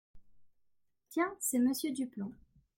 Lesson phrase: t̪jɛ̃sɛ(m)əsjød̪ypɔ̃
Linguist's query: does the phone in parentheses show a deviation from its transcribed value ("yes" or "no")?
no